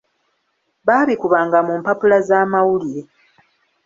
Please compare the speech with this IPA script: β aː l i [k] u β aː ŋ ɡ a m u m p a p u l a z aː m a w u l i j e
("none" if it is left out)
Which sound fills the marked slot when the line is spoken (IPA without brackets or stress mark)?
k